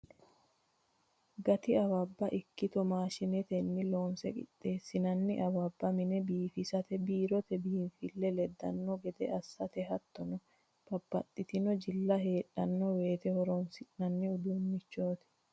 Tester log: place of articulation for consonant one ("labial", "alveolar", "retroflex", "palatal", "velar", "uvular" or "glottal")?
velar